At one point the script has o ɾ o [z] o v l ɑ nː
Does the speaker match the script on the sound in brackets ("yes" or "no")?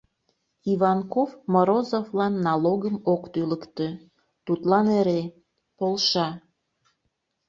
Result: yes